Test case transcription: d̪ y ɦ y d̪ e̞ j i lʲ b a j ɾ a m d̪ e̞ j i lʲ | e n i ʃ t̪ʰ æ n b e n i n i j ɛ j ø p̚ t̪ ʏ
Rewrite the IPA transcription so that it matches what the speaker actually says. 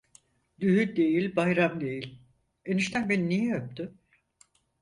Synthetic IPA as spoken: d̪ y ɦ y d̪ e̞ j i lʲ b a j ɾ a m d̪ e̞ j i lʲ | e n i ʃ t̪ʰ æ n b e n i n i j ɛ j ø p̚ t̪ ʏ